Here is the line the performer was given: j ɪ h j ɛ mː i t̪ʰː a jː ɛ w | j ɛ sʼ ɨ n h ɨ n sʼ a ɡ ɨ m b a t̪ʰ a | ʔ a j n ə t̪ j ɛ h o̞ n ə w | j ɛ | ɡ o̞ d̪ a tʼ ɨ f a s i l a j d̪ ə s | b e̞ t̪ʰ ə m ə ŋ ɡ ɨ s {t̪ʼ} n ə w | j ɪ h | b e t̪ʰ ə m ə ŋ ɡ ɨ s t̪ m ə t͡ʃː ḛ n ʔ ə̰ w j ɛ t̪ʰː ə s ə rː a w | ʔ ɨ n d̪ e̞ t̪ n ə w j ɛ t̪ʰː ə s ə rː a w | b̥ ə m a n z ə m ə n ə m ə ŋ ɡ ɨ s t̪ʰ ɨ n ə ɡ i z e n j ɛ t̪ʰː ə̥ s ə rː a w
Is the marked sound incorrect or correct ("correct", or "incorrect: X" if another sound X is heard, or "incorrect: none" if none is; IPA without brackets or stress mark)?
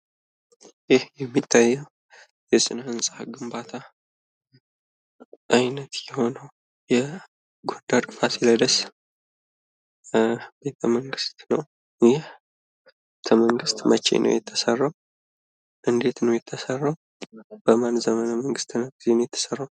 incorrect: t̪